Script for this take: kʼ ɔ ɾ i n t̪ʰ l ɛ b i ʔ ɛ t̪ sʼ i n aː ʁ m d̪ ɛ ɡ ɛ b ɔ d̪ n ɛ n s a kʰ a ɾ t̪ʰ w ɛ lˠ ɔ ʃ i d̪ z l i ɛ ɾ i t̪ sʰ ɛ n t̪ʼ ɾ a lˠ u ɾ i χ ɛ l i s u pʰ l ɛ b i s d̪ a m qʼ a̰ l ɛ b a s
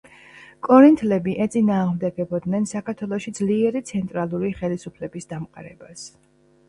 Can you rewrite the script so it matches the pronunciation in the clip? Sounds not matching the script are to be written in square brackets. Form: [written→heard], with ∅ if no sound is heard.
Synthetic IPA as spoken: kʼ ɔ ɾ i n t̪ʰ l ɛ b i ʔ ɛ t̪ sʼ i n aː ʁ m d̪ ɛ ɡ ɛ b ɔ d̪ n ɛ n s a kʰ a ɾ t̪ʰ w ɛ lˠ ɔ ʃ i d̪ z l i ɛ ɾ i t̪ sʰ ɛ n t̪ʼ ɾ a lˠ u ɾ i χ ɛ l i s u pʰ l ɛ b i s d̪ a m qʼ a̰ [l→ɾ] ɛ b a s